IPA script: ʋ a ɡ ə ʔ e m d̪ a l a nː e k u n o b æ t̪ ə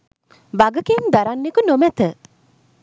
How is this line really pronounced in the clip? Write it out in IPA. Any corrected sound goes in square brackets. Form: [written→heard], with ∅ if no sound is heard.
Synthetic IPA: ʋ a ɡ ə [ʔ→k] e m d̪ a [l→ɾ] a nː e k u n o [b→m] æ t̪ ə